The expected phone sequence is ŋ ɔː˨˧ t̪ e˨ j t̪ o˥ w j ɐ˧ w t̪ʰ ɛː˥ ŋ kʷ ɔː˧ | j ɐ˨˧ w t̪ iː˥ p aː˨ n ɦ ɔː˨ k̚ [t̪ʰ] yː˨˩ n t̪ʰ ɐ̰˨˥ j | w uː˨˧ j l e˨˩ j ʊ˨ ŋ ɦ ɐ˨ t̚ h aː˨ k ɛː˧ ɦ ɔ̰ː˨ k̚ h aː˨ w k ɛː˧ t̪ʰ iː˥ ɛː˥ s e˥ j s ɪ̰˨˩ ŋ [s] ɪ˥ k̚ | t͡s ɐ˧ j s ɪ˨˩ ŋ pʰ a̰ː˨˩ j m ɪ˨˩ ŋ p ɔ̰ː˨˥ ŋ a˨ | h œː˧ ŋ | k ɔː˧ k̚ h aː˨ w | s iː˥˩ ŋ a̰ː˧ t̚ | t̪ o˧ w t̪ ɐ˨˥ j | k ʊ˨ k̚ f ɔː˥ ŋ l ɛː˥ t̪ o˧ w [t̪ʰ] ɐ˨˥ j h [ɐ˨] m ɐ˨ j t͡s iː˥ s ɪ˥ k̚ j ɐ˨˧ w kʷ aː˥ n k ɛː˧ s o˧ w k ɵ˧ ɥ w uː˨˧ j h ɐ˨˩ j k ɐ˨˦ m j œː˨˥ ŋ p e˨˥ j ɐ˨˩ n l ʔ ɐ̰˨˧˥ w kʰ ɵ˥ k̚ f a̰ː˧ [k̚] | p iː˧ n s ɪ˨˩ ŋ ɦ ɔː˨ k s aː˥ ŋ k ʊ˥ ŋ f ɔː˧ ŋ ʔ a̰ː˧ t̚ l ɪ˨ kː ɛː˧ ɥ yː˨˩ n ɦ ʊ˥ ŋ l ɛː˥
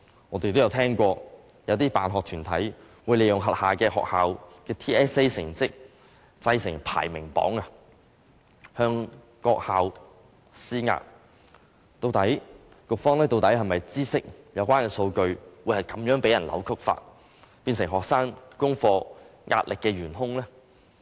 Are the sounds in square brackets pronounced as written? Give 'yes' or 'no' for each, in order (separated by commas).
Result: yes, no, no, yes, no